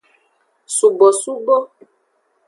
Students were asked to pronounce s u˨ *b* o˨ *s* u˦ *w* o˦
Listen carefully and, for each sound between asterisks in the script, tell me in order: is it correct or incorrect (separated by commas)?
correct, correct, incorrect